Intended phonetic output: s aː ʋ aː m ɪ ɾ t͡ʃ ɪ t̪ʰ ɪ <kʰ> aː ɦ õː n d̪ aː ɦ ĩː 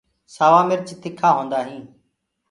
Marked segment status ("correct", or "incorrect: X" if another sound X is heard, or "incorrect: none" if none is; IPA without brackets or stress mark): correct